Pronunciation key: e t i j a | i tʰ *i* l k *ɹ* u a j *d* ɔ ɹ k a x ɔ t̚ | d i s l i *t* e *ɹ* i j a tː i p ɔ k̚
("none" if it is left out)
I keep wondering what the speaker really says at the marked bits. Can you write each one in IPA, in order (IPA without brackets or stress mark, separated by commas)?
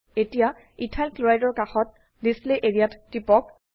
a, l, d, ʔ, ɹ